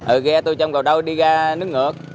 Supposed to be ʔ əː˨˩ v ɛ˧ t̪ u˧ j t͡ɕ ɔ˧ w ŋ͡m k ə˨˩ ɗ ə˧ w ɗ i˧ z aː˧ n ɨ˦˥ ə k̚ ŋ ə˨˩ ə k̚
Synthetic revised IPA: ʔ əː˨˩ ɣ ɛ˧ t̪ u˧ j t͡ɕ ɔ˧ w ŋ͡m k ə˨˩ ɗ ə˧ w ɗ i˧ ɣ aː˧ n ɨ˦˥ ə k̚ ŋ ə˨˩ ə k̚